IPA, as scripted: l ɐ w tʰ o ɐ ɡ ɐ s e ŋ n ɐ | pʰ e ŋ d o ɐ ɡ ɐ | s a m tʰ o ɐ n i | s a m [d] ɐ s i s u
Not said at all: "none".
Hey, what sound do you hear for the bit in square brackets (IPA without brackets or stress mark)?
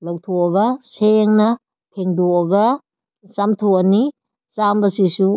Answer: b